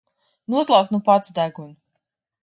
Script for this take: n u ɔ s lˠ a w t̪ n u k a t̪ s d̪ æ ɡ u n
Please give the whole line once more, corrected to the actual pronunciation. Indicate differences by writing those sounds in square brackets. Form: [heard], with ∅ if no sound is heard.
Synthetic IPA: n u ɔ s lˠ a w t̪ n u [p] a t̪ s d̪ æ ɡ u n